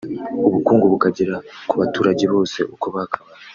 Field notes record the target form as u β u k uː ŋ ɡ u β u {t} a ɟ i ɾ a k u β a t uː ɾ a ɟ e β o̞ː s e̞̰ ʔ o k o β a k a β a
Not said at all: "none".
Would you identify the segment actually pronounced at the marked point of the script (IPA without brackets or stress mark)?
k